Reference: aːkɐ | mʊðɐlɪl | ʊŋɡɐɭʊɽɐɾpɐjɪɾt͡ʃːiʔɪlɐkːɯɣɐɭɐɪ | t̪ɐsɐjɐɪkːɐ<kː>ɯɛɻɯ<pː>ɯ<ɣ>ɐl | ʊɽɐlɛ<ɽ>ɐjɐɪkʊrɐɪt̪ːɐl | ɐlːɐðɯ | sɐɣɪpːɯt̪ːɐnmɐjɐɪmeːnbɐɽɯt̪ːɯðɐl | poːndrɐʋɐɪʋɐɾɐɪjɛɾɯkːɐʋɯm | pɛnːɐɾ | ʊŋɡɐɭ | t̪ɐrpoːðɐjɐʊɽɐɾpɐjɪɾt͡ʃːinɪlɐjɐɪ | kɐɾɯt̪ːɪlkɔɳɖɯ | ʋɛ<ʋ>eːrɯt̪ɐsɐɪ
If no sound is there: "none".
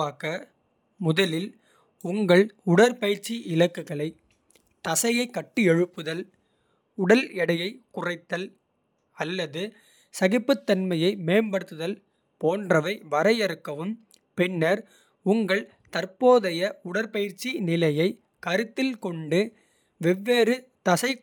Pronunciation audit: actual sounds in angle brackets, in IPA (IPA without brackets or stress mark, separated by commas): ʈː, pː, ð, ɽ, ʋː